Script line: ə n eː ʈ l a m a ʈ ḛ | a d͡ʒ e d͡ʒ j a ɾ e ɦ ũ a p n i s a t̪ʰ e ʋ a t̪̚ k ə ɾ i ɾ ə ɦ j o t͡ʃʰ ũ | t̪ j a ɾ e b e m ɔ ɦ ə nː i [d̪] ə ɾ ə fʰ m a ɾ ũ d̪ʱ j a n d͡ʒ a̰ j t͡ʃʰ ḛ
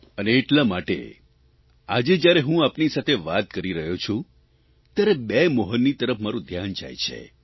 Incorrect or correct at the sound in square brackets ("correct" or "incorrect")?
incorrect